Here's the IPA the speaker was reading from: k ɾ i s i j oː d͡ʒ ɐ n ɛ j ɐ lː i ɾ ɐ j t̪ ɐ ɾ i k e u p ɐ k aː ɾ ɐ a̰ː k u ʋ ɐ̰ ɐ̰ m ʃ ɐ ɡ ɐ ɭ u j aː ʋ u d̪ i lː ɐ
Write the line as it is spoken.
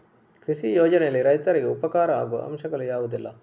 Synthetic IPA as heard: k ɾ i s i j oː d͡ʒ ɐ n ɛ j ɐ lː i ɾ ɐ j t̪ ɐ ɾ i ɡ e u p ɐ k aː ɾ ɐ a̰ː ɡ u ʋ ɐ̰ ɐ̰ m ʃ ɐ ɡ ɐ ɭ u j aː ʋ u d̪ i lː ɐ